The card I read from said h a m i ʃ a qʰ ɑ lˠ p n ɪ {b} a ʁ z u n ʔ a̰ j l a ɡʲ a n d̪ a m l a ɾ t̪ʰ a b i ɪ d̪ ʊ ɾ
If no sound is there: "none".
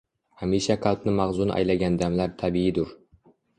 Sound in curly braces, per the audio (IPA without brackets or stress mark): m